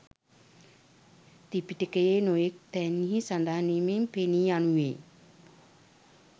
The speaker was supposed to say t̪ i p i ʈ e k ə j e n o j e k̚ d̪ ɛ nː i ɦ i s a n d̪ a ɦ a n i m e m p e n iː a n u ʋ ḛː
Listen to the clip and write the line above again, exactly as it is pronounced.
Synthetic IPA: t̪ i p i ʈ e k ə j e n o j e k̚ t̪ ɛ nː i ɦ i s a n d̪ a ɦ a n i m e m p e n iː a n u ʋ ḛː